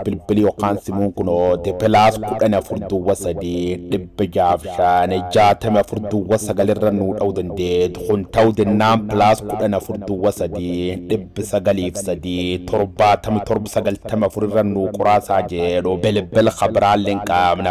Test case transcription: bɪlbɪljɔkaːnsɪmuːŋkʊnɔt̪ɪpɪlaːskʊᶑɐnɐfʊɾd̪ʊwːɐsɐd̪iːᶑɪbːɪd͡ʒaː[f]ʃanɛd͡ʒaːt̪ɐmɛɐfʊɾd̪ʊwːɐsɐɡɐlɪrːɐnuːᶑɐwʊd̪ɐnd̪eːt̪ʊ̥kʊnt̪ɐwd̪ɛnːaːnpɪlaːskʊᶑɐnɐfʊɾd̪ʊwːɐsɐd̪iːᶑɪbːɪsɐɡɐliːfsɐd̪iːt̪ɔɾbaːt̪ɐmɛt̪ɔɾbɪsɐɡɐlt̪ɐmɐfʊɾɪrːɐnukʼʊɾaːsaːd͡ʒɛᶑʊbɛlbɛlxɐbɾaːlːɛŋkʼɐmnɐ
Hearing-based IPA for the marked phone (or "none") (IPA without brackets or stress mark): f